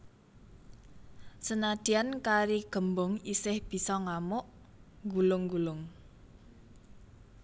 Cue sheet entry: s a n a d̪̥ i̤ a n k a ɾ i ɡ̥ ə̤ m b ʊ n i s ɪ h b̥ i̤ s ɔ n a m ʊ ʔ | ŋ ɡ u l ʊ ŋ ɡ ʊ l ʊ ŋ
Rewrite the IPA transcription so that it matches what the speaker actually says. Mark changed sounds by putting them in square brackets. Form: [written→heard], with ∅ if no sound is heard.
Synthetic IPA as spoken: s [a→ə] n a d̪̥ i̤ a n k a ɾ i ɡ̥ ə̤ m b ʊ [n→ŋ] i s ɪ h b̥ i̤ s ɔ [n→ŋ] a m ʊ ʔ | ŋ ɡ u l ʊ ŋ ɡ [ʊ→u] l ʊ ŋ